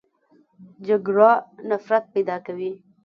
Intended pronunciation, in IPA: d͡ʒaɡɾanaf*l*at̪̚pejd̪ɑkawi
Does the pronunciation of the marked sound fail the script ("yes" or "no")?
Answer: yes